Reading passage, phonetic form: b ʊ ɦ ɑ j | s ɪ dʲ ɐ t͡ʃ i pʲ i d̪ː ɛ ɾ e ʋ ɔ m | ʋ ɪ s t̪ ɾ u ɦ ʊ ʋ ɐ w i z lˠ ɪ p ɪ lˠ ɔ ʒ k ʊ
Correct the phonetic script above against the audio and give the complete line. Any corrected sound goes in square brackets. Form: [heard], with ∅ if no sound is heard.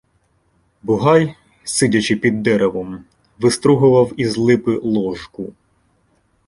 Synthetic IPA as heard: b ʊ ɦ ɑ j | s ɪ dʲ ɐ t͡ʃ [ɪ] pʲ i d̪ː ɛ ɾ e ʋ ɔ m | ʋ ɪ s t̪ ɾ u ɦ ʊ ʋ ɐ w i z lˠ ɪ p ɪ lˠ ɔ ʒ k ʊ

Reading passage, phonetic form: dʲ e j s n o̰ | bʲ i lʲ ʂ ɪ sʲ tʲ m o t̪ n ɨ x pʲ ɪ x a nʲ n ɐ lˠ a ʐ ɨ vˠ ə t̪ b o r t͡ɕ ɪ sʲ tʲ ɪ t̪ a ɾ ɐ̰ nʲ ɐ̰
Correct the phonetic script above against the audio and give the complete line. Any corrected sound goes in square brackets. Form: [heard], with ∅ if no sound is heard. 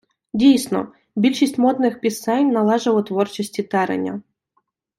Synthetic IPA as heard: dʲ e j s n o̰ | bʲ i lʲ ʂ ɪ sʲ tʲ m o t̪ n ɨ x pʲ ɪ [s] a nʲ n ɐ lˠ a ʐ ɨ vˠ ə t̪ [v] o r t͡ɕ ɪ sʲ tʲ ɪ t̪ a ɾ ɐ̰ nʲ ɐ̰

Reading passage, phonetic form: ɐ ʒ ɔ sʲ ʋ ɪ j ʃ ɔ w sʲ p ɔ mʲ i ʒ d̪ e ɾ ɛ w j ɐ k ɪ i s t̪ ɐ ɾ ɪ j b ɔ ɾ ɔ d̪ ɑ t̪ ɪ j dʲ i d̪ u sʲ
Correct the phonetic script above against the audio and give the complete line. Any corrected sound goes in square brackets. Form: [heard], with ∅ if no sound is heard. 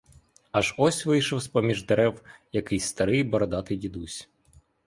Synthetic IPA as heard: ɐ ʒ ɔ sʲ ʋ ɪ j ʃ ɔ w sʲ p ɔ mʲ i ʒ d̪ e ɾ ɛ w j ɐ k ɪ [j] s t̪ ɐ ɾ ɪ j b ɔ ɾ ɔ d̪ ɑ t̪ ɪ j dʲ i d̪ u sʲ

